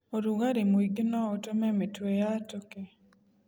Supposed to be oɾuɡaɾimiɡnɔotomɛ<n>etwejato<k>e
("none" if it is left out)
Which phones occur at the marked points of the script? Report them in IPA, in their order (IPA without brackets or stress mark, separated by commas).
m, k